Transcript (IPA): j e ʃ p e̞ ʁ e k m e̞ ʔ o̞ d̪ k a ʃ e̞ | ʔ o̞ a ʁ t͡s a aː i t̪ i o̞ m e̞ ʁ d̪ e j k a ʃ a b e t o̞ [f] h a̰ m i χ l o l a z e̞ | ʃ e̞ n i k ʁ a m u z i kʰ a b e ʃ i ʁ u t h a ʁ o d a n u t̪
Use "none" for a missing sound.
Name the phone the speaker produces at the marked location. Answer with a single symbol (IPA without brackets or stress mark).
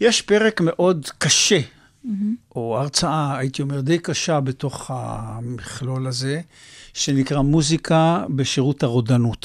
χ